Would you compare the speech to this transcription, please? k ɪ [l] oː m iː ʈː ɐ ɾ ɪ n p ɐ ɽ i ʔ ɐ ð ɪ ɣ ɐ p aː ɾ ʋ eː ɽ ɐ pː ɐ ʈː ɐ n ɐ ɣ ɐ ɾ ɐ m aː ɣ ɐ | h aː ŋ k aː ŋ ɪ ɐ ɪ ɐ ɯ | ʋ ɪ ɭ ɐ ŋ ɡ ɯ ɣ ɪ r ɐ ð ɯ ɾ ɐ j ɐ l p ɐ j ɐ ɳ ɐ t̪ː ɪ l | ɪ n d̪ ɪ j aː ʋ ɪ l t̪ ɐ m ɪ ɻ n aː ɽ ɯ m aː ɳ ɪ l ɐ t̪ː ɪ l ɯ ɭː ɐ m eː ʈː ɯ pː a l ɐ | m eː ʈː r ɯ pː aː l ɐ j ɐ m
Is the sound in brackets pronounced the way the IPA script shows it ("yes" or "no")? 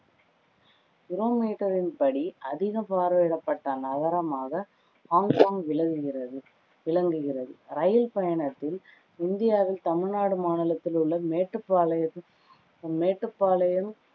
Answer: no